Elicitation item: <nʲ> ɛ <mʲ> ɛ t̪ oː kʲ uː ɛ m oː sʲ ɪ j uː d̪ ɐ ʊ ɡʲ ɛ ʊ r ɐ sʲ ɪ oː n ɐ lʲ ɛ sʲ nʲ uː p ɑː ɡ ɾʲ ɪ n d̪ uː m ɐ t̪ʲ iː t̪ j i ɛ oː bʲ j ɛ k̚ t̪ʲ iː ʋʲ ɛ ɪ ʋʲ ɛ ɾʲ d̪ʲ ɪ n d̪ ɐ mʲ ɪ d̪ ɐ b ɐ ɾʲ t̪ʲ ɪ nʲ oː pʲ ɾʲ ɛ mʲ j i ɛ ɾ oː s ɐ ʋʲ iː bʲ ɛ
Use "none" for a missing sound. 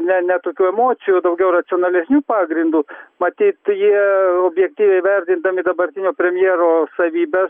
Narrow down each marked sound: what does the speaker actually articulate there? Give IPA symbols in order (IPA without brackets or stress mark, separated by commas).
nʲ, nʲ